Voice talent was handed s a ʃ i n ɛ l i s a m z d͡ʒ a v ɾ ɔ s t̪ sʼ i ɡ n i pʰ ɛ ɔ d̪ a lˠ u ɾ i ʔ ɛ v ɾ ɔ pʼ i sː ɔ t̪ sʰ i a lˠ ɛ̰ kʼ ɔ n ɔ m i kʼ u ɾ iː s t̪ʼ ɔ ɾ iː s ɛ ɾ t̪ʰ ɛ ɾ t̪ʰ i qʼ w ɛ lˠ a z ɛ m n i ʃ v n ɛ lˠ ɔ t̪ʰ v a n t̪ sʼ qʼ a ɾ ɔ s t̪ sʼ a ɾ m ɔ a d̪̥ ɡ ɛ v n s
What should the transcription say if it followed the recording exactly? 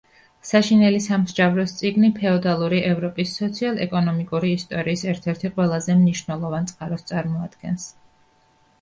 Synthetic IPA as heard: s a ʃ i n ɛ l i s a m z d͡ʒ a v ɾ ɔ s t̪ sʼ i ɡ n i pʰ ɛ ɔ d̪ a lˠ u ɾ i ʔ ɛ v ɾ ɔ pʼ i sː ɔ t̪ sʰ i a lˠ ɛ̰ kʼ ɔ n ɔ m i kʼ u ɾ iː s t̪ʼ ɔ ɾ iː s ɛ ɾ t̪ʰ ɛ ɾ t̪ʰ i qʼ w ɛ lˠ a z ɛ m n i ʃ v n ɛ lˠ ɔ v a n t̪ sʼ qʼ a ɾ ɔ s t̪ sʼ a ɾ m ɔ a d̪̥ ɡ ɛ n s